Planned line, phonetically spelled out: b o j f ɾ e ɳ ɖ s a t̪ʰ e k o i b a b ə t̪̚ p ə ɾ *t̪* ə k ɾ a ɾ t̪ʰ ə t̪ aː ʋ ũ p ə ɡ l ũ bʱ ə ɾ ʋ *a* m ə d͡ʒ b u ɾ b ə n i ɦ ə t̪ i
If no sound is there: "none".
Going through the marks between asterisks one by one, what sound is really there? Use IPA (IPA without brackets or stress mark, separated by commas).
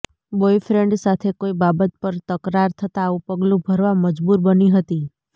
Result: t̪, a